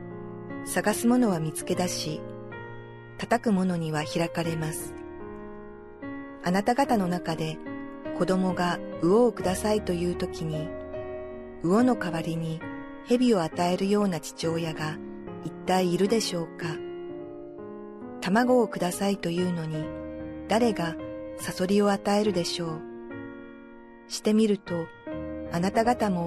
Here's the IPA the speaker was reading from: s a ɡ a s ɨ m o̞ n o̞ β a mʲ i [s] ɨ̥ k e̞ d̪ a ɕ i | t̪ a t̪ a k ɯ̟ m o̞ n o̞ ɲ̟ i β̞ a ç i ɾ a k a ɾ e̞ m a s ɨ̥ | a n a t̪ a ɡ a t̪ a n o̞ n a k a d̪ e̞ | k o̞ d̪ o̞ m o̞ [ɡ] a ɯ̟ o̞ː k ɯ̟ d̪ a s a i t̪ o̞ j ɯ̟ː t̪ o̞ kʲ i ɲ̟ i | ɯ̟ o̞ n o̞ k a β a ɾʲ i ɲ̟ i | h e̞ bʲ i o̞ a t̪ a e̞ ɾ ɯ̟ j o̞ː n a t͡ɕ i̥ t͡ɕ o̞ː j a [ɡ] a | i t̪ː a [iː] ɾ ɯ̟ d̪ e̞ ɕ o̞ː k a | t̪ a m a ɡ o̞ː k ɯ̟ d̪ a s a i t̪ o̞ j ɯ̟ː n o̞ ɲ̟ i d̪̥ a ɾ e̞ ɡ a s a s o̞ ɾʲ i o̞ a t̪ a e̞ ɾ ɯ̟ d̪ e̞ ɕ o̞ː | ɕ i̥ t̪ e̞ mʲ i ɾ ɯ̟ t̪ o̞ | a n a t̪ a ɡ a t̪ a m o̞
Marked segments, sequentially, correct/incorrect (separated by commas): incorrect, correct, correct, correct